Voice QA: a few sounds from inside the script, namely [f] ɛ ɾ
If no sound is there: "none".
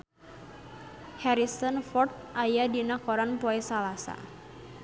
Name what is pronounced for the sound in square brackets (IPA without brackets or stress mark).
h